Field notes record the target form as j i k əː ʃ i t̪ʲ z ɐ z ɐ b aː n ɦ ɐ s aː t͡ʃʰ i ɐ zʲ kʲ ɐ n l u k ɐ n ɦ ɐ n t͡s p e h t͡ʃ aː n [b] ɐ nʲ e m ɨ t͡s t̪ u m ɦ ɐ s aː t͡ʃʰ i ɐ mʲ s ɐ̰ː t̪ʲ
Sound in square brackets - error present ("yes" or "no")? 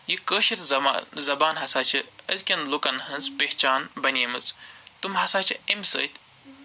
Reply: no